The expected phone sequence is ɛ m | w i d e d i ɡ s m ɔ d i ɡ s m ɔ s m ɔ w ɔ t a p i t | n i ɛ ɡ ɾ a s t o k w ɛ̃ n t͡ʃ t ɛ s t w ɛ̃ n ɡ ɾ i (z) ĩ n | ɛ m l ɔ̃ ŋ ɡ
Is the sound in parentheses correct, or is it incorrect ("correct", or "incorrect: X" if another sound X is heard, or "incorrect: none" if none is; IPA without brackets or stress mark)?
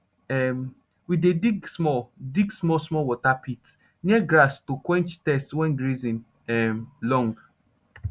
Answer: correct